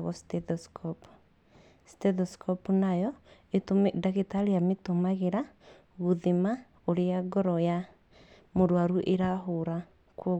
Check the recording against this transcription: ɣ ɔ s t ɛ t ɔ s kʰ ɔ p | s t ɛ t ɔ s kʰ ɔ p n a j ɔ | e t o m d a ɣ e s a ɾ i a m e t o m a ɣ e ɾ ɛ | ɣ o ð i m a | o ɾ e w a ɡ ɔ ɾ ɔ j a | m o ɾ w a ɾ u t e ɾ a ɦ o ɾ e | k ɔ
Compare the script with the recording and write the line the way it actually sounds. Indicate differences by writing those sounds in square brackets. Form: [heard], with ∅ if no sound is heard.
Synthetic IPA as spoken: ɣ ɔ s t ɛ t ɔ s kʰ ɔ p | s t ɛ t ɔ s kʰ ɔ p n a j ɔ | e t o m d a ɣ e [t] a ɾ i a m e t o m a ɣ e ɾ [a] | ɣ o ð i m a | o ɾ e [∅] a ɡ ɔ ɾ ɔ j a | m o ɾ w a ɾ u [ʔ] e ɾ a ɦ o ɾ [a] | k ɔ